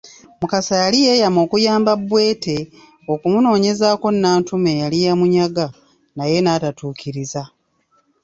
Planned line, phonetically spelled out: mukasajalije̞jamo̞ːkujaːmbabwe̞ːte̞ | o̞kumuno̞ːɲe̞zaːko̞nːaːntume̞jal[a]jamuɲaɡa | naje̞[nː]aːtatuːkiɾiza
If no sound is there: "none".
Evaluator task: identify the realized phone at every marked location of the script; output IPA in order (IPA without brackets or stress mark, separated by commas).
i, n